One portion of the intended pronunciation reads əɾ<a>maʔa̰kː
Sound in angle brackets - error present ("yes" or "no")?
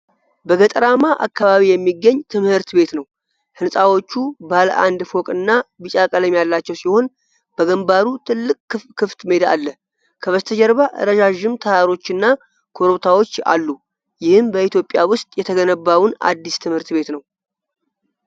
no